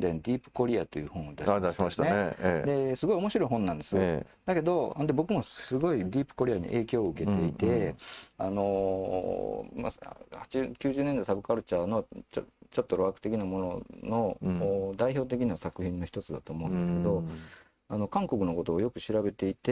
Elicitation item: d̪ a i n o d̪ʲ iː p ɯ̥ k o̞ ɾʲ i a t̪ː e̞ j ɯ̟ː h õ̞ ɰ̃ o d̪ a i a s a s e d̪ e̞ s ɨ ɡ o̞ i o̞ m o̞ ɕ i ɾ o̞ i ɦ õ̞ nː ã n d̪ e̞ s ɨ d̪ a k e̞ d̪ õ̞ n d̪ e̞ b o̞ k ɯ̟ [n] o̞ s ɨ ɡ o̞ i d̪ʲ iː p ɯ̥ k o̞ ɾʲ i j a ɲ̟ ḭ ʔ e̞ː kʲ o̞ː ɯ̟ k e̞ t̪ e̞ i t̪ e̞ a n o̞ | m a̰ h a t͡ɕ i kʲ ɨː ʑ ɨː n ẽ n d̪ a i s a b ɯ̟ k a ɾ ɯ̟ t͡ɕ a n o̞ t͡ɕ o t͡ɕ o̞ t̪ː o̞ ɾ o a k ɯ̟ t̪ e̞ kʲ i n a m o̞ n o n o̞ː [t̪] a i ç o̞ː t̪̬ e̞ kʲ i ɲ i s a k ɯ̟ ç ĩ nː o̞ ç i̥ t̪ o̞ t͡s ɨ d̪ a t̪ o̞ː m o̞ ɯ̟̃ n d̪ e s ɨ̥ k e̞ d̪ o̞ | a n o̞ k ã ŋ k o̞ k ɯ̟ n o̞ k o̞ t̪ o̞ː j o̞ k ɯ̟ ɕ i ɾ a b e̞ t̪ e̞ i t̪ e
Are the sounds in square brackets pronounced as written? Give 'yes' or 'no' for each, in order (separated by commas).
no, no